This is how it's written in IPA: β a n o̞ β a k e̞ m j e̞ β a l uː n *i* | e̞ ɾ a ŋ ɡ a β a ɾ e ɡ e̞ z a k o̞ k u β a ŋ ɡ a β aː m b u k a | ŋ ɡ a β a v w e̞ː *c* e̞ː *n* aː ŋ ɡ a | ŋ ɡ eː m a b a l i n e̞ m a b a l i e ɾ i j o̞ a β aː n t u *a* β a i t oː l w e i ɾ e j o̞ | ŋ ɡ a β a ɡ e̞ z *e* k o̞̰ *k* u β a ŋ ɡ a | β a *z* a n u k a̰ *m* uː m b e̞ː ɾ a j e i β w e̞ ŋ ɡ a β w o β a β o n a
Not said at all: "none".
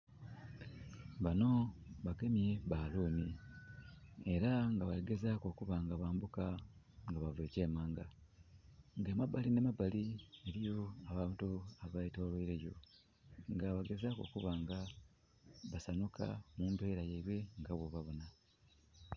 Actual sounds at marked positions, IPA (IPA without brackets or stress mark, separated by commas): i, c, m, a, a, k, s, m